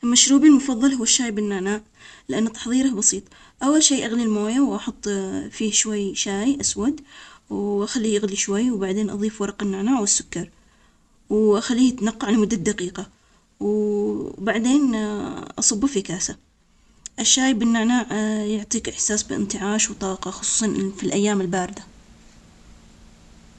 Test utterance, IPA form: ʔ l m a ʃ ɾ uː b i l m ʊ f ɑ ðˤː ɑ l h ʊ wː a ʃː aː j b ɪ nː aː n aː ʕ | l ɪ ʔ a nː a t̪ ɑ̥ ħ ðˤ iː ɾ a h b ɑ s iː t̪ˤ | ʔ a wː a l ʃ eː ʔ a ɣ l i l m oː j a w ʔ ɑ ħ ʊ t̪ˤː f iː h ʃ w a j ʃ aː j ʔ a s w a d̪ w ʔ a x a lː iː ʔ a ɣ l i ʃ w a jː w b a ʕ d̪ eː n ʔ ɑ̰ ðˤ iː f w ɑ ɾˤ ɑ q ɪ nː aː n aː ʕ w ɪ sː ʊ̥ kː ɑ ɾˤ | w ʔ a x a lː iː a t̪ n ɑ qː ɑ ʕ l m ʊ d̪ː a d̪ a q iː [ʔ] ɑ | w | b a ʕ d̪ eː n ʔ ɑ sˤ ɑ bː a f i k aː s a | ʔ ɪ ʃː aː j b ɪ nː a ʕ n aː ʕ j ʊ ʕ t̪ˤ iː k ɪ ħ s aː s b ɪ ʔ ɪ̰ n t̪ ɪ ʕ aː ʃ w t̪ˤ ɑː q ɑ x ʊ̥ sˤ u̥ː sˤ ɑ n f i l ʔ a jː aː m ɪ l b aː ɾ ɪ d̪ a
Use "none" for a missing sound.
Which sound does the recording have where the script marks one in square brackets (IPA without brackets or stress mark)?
q